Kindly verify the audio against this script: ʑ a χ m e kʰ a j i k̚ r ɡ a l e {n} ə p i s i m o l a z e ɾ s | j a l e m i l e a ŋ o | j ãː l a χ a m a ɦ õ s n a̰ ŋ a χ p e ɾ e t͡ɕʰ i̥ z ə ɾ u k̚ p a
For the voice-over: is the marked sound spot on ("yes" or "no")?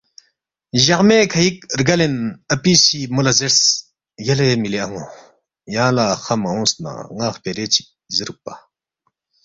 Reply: yes